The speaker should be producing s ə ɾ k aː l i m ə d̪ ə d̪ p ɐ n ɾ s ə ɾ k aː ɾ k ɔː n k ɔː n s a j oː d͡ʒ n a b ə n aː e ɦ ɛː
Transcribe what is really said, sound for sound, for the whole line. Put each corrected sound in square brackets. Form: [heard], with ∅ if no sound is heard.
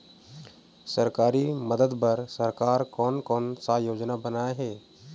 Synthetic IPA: s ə ɾ k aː [ɾ] i m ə d̪ ə d̪ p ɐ [∅] ɾ s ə ɾ k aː ɾ k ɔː n k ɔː n s a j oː d͡ʒ n a b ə n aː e ɦ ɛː